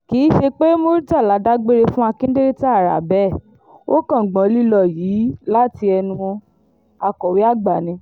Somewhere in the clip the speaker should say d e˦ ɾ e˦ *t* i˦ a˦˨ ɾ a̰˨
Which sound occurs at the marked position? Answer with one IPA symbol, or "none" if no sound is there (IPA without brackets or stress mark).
t